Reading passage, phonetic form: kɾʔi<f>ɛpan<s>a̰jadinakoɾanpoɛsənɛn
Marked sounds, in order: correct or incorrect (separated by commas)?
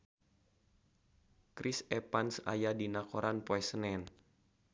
incorrect, correct